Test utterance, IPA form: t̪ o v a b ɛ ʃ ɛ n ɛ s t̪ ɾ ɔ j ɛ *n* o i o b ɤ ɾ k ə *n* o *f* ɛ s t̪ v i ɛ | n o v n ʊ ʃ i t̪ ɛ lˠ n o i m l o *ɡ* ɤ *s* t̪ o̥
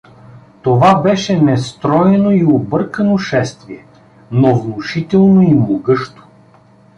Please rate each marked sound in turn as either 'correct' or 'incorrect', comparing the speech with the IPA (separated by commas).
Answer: correct, correct, incorrect, correct, incorrect